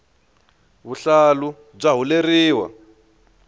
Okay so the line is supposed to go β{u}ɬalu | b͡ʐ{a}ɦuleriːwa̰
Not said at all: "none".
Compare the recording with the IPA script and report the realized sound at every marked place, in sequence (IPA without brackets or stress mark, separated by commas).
u, a